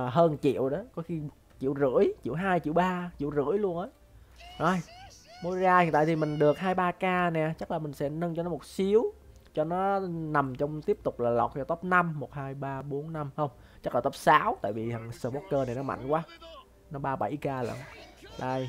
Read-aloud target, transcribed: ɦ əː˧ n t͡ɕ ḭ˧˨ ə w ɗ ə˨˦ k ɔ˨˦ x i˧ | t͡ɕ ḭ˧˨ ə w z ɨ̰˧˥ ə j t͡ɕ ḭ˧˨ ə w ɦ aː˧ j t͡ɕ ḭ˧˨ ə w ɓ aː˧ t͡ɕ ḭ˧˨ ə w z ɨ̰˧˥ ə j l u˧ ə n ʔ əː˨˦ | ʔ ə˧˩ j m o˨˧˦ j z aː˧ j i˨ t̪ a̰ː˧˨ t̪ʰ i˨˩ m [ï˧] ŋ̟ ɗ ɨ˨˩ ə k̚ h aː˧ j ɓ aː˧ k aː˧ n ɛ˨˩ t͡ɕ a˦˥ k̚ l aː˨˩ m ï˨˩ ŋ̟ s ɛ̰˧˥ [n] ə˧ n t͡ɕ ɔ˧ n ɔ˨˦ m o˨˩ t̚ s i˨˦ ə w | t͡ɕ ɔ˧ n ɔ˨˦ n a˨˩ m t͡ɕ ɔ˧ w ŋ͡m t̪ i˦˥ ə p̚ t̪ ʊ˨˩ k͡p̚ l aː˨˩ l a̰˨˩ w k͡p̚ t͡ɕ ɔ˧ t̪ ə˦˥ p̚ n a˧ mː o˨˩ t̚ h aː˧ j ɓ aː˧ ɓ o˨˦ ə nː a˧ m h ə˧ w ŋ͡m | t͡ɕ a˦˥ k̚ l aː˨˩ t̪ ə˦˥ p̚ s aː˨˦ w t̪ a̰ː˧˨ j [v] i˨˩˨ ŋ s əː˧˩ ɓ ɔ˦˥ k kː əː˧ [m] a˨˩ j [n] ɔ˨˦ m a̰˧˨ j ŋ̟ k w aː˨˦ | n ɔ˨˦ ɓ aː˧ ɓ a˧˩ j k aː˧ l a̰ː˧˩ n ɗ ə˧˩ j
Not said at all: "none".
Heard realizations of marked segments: ï˨˩, n, v, n, n

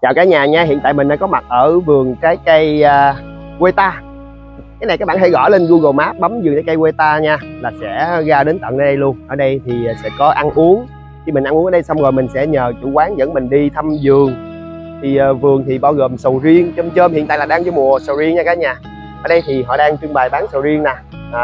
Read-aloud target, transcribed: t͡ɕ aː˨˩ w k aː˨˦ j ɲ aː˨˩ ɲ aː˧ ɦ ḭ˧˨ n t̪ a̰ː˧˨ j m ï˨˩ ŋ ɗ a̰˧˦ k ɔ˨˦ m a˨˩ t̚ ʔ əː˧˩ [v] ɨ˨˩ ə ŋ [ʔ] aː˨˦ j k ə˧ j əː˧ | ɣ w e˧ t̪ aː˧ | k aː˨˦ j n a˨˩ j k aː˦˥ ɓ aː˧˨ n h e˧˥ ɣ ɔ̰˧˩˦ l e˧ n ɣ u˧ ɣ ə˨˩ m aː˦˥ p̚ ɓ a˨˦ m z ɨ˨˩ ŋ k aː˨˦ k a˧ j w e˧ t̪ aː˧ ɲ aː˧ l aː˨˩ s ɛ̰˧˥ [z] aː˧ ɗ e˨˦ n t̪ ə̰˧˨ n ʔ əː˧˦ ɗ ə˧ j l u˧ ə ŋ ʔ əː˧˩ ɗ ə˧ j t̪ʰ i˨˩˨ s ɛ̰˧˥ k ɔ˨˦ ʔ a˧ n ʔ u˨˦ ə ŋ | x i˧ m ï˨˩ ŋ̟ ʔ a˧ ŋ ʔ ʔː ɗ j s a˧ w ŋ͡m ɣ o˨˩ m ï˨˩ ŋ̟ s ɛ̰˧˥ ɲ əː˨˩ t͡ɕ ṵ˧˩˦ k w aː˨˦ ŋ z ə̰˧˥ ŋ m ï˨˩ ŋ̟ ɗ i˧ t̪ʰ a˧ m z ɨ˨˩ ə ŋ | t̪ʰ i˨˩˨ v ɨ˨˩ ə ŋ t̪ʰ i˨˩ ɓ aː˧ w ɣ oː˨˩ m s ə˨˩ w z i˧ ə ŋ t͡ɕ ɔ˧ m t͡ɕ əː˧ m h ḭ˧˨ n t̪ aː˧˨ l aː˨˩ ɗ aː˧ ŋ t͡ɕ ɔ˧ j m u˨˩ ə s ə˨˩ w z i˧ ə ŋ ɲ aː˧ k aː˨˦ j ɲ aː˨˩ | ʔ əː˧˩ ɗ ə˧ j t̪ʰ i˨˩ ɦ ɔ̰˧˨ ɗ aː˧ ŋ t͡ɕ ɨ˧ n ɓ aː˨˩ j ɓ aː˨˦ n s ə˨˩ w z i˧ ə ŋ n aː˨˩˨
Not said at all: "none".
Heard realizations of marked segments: v, k, ɣ

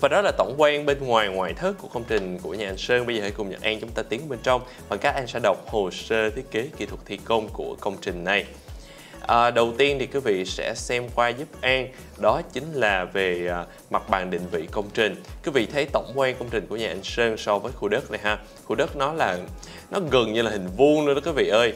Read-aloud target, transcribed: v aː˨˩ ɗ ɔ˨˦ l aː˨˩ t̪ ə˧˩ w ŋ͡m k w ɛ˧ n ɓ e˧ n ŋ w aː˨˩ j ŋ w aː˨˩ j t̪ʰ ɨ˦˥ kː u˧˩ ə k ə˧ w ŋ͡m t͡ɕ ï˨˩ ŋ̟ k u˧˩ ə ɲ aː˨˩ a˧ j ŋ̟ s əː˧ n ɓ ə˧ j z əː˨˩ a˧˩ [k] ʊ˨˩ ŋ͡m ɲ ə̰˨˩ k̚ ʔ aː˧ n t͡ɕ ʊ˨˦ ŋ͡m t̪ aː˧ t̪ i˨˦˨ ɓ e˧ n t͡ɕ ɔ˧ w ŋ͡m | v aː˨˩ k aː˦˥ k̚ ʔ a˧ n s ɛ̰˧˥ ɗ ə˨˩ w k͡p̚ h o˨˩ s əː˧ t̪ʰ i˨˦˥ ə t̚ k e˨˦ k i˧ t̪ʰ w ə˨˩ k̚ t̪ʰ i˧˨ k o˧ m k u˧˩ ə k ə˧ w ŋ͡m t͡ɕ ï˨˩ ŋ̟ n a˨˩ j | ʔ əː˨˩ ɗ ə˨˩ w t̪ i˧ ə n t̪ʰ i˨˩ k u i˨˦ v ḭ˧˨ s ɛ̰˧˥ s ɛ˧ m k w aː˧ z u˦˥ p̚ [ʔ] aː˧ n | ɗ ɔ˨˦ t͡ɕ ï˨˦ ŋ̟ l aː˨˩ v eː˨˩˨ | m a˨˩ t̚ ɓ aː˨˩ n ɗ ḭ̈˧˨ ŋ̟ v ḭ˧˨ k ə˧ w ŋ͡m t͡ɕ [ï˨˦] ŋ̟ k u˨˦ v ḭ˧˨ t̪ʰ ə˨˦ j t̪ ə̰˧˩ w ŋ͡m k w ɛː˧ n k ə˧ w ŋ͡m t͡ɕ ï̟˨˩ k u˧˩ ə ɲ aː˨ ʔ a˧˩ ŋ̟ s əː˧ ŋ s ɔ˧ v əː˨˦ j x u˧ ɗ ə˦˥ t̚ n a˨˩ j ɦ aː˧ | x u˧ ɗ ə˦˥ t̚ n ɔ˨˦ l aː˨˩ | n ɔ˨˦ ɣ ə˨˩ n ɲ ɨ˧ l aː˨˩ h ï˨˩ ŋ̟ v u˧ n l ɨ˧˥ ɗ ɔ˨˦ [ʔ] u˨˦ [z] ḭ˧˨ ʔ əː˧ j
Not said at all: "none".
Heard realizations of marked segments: k, ʔ, ï˨˩, k, v

